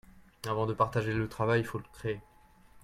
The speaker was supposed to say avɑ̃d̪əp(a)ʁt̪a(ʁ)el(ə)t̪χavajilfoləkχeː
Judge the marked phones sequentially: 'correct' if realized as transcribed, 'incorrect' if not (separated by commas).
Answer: correct, incorrect, correct